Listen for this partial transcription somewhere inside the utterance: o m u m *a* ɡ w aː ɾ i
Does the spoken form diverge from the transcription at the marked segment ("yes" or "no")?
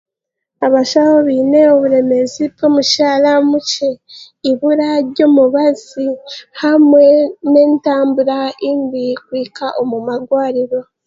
no